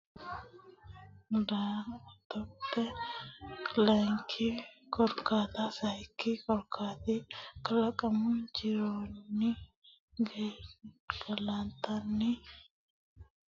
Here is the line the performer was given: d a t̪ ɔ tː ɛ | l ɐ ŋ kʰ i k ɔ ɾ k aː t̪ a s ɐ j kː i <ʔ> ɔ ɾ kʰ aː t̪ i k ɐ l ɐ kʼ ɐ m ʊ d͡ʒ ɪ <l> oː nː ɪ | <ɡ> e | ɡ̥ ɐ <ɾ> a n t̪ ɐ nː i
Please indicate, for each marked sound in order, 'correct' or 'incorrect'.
incorrect: k, incorrect: ɾ, correct, incorrect: l

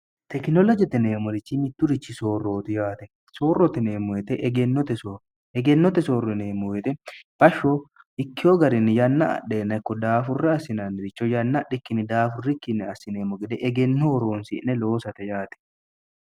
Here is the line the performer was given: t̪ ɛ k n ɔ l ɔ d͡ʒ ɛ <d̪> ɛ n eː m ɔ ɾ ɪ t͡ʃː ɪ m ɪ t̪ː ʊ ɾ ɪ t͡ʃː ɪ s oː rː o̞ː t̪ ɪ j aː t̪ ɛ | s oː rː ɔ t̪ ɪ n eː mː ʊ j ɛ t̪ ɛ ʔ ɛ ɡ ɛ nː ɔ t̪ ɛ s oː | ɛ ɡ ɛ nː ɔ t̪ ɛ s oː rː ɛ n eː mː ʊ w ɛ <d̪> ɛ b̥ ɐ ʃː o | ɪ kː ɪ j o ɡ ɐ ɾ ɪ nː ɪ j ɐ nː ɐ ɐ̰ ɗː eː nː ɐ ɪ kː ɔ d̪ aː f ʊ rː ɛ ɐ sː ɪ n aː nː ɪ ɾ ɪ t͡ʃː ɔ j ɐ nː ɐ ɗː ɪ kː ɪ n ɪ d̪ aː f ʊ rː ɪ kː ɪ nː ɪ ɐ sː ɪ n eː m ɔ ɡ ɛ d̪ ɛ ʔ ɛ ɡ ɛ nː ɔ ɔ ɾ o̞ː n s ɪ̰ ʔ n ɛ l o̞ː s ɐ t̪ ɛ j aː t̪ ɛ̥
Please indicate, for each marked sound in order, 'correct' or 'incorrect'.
incorrect: t̪, incorrect: t̪

